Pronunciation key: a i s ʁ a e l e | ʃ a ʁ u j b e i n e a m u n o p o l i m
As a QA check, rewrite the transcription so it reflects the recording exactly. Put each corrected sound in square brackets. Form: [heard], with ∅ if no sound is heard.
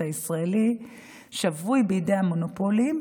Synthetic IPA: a i s ʁ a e l [i] | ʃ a [v] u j b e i [d] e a m [o] n o p o l i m